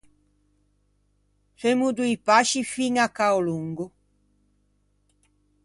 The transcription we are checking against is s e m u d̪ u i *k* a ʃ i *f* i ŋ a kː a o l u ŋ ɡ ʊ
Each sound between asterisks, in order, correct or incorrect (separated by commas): incorrect, correct